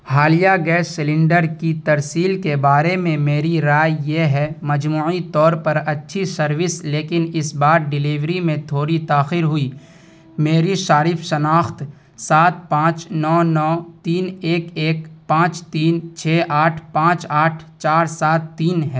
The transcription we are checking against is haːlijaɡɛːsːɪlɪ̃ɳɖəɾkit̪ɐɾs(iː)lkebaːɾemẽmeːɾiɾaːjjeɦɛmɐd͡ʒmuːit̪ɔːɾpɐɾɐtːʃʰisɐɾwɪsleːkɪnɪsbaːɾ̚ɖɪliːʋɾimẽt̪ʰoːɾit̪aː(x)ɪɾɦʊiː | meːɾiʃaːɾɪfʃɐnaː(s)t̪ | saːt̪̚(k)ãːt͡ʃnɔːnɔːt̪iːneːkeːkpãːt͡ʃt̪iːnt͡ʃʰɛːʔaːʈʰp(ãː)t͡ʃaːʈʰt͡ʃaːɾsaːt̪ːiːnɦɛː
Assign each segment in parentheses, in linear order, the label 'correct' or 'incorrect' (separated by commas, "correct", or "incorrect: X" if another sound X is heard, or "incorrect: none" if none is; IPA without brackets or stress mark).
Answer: correct, correct, incorrect: x, incorrect: p, correct